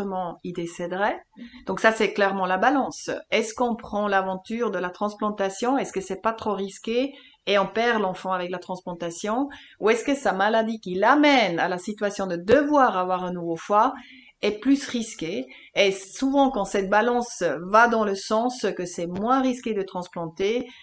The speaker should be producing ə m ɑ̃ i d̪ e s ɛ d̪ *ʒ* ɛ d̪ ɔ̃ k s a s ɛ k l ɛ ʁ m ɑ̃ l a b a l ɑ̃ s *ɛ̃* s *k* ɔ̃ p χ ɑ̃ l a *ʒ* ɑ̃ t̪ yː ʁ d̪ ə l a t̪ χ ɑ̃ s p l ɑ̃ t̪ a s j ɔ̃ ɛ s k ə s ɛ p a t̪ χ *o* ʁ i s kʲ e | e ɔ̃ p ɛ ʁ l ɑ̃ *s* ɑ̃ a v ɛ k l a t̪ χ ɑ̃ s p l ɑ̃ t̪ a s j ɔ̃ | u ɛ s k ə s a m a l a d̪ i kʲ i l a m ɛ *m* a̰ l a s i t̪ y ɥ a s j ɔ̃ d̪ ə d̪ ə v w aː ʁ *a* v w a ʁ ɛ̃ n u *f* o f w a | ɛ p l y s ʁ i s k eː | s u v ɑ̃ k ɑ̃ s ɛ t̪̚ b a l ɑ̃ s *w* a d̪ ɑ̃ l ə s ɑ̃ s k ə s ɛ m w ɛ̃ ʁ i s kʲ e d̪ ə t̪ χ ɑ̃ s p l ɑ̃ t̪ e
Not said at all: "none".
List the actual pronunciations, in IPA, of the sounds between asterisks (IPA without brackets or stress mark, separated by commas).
ʁ, ɛ, k, v, o, f, n, a, v, v